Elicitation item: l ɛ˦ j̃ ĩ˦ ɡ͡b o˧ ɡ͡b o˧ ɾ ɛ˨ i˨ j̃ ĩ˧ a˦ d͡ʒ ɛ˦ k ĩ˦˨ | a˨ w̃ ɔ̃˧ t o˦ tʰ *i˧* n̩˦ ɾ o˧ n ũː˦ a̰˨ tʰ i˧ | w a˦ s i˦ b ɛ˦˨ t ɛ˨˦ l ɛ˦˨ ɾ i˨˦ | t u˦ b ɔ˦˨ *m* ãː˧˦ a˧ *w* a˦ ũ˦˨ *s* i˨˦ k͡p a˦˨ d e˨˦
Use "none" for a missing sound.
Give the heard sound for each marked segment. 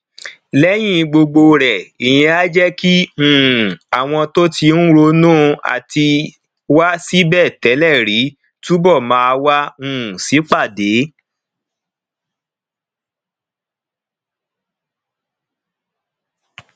i˧, m, w, s

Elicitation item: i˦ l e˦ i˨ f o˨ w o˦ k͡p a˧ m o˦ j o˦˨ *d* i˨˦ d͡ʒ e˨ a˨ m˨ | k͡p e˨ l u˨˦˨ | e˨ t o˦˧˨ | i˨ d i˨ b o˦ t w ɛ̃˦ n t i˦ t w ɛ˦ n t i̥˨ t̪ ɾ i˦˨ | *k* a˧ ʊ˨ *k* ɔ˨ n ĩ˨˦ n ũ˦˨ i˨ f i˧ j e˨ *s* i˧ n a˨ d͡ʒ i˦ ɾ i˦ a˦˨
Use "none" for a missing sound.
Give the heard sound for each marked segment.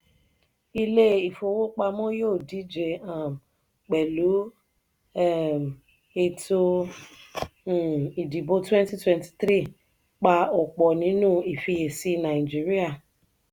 d, k͡p, k͡p, s

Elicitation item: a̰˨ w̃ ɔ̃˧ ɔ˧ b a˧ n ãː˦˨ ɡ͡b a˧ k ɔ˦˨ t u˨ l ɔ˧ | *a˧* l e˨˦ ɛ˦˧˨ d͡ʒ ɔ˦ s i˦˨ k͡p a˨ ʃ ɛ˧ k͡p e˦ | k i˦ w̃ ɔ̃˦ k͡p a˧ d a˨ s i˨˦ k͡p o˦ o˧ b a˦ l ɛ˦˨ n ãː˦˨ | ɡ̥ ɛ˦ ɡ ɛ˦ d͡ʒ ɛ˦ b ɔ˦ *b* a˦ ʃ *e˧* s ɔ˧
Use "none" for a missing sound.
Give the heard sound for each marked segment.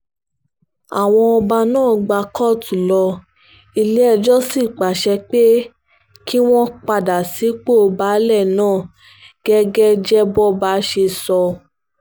i˧, b, e˧

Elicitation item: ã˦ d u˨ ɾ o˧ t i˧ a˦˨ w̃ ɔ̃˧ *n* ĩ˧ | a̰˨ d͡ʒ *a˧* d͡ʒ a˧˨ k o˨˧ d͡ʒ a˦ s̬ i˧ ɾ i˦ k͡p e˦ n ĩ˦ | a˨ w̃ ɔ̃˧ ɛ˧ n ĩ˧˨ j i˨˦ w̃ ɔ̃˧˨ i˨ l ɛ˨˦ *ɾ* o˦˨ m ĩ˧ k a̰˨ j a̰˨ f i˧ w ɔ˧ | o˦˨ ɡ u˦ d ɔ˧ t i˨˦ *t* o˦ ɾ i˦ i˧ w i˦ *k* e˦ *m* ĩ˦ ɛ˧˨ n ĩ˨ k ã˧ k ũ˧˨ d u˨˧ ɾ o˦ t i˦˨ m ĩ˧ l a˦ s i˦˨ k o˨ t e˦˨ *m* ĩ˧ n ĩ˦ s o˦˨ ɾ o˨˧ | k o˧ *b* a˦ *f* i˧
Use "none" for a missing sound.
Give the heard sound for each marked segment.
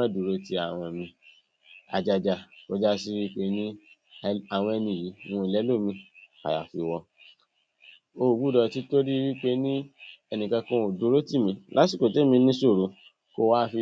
m, a˧, l, t, k͡p, n, m, w, f

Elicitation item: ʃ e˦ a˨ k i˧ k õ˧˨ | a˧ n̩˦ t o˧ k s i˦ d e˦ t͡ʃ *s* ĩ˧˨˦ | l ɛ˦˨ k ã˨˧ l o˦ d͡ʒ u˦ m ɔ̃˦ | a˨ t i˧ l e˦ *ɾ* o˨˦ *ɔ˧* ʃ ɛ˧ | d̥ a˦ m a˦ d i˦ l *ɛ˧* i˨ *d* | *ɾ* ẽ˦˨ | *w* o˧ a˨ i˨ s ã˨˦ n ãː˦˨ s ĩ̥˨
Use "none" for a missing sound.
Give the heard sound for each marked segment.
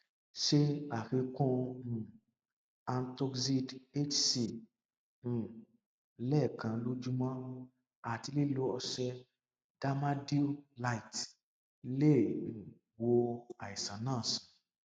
s, l, ɔ˧, a˧, t, l, w

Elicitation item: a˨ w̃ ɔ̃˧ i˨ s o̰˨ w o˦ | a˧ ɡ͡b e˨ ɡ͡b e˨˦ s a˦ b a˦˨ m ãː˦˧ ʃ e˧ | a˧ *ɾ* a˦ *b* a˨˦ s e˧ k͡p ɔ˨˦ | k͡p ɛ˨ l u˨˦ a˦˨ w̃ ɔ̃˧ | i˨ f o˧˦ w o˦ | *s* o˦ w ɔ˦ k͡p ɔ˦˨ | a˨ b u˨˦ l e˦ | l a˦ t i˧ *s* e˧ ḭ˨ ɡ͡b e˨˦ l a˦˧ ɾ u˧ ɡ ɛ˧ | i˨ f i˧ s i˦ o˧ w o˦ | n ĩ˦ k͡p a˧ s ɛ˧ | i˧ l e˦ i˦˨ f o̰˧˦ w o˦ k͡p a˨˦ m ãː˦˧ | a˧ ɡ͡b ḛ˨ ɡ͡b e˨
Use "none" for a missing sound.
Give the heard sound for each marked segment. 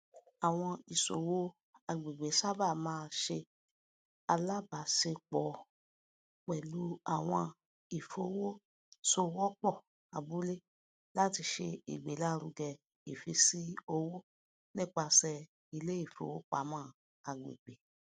l, b, s, ʃ

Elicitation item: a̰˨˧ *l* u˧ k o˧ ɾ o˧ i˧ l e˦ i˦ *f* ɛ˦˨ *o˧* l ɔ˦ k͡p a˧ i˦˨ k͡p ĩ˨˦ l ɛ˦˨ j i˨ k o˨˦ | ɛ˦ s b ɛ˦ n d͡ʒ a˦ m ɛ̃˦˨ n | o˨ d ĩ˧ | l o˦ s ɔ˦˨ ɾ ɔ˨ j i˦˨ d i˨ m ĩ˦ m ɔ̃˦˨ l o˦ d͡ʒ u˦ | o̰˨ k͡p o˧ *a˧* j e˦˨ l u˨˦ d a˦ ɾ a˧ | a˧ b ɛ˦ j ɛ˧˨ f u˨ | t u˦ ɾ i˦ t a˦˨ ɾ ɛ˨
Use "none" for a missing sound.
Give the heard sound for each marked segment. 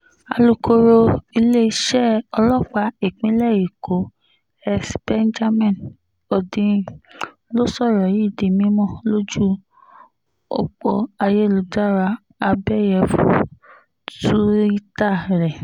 l, ʃ, ɔ˧, a˧

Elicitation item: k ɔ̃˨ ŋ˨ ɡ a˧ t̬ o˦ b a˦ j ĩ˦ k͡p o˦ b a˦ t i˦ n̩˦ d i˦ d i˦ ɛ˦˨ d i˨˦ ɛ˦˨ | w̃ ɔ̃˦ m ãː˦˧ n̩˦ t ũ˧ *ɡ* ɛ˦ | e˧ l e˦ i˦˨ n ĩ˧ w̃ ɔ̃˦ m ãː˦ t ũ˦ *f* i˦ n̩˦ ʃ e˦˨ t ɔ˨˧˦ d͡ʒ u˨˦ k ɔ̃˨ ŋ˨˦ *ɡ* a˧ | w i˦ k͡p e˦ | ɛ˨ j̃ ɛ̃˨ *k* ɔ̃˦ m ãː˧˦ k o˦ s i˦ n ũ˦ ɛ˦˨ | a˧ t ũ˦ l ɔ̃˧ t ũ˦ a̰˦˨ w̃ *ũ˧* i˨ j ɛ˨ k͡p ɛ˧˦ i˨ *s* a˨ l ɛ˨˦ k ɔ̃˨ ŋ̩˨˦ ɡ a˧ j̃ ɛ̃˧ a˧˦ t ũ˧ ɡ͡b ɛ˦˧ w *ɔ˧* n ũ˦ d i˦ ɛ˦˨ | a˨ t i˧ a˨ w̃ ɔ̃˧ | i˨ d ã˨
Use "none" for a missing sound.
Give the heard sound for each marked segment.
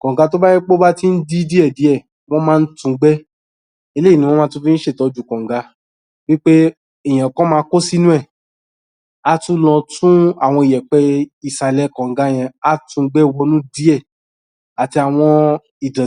ɡ͡b, f, ɡ, k, ɔ̃˧, s, ɔ˧

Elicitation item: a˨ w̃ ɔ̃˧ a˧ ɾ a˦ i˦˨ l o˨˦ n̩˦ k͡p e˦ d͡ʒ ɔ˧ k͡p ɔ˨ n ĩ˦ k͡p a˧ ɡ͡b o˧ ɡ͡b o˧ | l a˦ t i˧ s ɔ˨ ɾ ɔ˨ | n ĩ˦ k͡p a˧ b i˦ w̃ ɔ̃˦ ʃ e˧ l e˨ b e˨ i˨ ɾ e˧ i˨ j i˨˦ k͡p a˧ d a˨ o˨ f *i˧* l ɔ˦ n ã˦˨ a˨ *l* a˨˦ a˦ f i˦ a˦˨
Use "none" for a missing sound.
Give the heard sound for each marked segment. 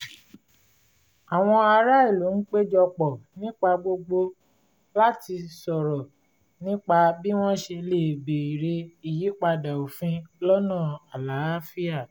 ĩ˧, l

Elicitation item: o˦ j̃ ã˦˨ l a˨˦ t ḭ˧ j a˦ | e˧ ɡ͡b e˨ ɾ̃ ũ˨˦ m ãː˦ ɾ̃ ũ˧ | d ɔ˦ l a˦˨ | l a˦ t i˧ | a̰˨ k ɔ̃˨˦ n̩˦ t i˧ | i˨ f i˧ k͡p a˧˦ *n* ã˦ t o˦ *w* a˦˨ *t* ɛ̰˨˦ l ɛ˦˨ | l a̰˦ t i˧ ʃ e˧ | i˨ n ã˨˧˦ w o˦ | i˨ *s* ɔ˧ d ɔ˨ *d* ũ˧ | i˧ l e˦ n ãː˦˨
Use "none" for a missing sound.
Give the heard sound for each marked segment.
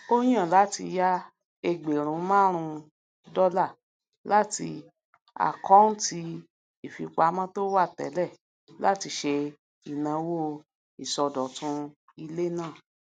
m, w, t, s, t

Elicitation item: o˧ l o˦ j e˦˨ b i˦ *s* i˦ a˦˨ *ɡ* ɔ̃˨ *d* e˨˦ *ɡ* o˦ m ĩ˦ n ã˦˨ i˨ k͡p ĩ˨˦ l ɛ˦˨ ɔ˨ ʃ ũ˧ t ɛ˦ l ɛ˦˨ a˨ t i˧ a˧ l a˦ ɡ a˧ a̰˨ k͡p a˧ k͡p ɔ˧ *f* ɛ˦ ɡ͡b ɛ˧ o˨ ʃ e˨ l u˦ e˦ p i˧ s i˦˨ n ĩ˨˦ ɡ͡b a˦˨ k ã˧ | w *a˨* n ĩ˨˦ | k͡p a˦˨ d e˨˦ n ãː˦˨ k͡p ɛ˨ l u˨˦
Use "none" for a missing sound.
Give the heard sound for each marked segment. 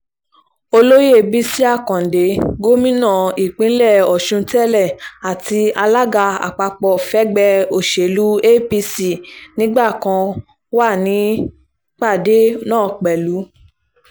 s, k, d, ɡ, f, a˦˨

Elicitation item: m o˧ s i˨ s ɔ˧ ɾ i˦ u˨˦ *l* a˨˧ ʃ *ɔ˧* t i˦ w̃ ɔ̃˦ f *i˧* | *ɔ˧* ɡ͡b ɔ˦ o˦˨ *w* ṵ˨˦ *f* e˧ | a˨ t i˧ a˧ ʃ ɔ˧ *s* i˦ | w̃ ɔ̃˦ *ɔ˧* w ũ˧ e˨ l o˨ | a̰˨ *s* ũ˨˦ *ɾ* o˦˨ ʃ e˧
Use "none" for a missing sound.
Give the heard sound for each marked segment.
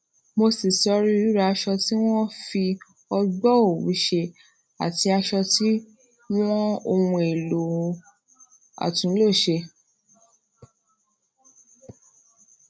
ɾ, ɔ˧, i˧, ɔ˧, w, ʃ, t, o˧, t, l

